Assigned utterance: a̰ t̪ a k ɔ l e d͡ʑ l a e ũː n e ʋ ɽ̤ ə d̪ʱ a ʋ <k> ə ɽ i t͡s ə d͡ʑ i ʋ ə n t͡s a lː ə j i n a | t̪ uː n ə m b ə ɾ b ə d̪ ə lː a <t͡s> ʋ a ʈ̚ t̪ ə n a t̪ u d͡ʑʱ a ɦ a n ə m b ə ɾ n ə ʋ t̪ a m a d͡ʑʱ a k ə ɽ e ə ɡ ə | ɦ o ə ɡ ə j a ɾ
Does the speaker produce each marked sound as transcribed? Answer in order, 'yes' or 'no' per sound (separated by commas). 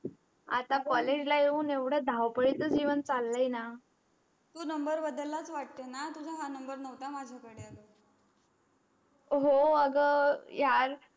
no, yes